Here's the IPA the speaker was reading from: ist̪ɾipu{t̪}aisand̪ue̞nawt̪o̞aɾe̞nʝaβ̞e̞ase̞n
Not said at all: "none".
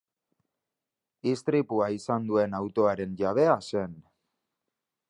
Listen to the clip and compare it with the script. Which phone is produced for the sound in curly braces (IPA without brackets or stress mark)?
none